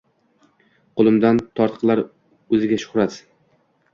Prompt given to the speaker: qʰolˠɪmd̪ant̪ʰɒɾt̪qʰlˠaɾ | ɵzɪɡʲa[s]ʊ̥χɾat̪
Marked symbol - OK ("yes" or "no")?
no